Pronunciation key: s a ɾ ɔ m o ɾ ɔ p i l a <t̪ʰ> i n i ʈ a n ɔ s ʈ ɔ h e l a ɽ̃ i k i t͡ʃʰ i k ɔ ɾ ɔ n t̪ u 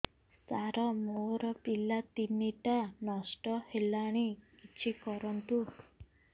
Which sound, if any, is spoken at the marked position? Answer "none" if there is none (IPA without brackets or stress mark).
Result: t̪